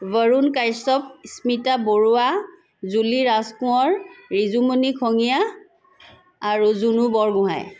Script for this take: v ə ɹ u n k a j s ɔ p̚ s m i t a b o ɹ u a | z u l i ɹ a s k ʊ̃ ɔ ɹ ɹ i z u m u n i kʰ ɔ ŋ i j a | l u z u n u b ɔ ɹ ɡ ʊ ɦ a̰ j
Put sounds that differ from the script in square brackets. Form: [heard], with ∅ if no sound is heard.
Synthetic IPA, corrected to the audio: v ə ɹ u n k a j s ɔ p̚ s m i t a b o ɹ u a | z u l i ɹ a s k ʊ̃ ɔ ɹ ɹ i z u m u n i kʰ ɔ ŋ i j a | [ɹ] u z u n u b ɔ ɹ ɡ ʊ ɦ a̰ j